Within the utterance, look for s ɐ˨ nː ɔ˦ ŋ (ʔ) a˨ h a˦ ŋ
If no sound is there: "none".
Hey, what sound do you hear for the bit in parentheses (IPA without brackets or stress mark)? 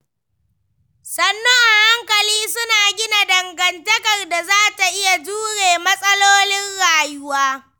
ʔ